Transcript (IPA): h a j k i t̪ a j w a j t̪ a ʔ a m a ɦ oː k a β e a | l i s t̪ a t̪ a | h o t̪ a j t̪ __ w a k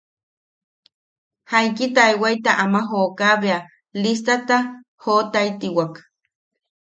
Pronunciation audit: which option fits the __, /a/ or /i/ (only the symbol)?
i